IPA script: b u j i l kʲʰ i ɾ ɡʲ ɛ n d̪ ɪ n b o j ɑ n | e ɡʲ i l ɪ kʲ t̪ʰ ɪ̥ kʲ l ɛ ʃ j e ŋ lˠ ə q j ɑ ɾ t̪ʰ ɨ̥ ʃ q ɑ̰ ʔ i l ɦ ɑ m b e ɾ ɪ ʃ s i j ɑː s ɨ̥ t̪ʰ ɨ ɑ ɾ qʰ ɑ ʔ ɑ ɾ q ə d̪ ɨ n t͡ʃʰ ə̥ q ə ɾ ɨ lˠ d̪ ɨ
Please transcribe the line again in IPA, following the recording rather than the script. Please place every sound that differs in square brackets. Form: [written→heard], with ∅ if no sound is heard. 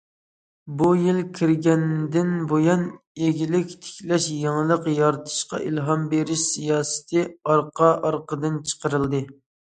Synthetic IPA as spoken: b u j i l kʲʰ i ɾ ɡʲ ɛ n d̪ ɪ n b o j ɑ n | e ɡʲ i l ɪ kʲ t̪ʰ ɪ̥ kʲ l ɛ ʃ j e ŋ lˠ ə q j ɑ ɾ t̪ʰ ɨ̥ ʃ q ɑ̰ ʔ i l ɦ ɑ m b e ɾ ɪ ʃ s i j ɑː s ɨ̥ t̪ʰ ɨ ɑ ɾ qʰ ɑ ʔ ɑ ɾ q ə d̪ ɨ n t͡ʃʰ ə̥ q ə ɾ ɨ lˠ d̪ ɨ